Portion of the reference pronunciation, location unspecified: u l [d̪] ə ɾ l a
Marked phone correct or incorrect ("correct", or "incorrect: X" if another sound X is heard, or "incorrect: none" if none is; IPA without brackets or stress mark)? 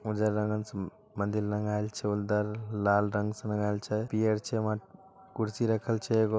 correct